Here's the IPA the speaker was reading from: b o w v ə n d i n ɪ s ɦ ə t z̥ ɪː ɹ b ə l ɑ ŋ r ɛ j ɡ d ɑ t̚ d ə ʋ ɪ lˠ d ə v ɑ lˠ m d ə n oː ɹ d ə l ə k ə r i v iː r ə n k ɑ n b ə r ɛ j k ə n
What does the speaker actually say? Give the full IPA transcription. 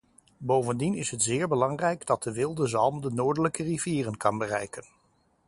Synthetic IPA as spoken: b o w v ə n d i n ɪ s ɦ ə t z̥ ɪː ɹ b ə l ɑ ŋ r ɛ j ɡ d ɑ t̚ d ə ʋ ɪ lˠ d ə z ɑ lˠ m d ə n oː ɹ d ə l ə k ə r i v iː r ə n k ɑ n b ə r ɛ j k ə n